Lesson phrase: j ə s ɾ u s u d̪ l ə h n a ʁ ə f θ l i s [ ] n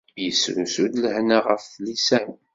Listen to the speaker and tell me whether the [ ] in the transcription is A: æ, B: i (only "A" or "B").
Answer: A